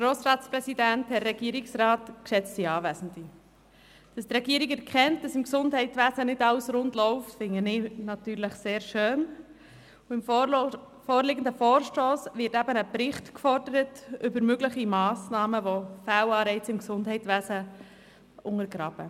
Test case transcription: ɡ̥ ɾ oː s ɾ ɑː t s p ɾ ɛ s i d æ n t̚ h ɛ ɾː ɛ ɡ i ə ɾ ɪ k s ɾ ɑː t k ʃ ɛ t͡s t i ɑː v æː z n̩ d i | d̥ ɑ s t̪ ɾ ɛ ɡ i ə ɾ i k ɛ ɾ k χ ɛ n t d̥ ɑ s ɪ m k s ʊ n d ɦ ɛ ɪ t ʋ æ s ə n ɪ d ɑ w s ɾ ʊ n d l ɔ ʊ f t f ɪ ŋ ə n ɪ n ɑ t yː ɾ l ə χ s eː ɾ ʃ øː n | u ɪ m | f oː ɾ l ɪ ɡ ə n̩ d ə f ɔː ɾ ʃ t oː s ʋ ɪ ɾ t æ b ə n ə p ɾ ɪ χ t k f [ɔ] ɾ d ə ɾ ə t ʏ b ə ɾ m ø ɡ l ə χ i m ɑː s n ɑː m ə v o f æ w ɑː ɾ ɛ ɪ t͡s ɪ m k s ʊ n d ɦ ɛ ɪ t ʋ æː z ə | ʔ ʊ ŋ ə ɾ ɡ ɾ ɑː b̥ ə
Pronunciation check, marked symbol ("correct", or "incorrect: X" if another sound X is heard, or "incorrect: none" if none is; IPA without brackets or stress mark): correct